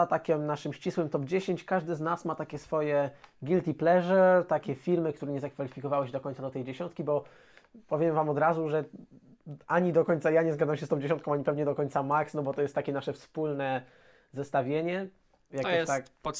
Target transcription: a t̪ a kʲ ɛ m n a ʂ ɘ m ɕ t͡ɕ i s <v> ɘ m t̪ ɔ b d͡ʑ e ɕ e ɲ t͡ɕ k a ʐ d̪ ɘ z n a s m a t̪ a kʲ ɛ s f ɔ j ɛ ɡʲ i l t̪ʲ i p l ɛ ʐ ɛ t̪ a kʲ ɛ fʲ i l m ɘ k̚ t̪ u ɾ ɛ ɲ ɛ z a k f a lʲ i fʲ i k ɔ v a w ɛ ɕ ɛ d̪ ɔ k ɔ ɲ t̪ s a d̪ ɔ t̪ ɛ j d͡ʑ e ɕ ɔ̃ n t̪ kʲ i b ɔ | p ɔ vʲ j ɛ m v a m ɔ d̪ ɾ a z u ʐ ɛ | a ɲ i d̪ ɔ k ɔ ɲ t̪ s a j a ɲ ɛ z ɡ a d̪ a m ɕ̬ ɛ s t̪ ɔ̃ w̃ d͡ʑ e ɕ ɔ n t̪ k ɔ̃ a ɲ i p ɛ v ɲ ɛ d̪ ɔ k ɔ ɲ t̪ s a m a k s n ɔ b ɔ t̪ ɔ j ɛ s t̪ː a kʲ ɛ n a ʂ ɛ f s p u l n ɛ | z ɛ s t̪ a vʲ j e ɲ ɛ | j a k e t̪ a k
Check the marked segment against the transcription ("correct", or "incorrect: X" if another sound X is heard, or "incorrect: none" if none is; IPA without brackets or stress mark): incorrect: w